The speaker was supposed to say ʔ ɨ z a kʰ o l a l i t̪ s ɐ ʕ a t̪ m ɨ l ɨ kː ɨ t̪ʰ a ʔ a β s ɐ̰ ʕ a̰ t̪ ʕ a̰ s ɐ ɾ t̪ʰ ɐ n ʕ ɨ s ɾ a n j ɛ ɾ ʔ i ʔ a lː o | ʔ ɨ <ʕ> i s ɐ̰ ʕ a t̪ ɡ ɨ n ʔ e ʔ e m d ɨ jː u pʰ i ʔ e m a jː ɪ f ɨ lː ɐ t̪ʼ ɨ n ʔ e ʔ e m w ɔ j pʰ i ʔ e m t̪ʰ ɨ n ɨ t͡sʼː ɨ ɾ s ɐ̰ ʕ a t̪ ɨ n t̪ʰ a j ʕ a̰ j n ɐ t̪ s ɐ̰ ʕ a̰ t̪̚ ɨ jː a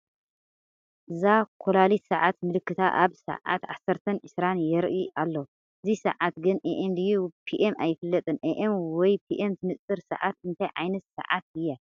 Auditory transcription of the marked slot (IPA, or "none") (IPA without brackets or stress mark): z